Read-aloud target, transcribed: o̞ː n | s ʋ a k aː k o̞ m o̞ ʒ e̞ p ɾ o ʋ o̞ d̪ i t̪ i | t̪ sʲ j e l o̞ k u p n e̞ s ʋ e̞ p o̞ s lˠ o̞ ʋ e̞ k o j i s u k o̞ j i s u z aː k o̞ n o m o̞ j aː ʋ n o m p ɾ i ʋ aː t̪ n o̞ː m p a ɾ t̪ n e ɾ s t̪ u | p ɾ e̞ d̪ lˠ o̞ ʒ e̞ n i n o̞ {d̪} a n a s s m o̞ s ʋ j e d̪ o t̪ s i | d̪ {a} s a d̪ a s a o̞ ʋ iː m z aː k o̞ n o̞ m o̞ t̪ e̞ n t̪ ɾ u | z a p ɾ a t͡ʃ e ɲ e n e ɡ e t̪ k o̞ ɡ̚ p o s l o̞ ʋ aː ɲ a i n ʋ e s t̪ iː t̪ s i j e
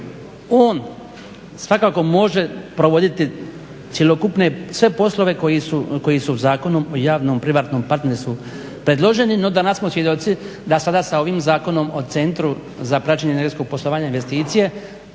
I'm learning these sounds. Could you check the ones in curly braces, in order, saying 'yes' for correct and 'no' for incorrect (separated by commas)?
yes, yes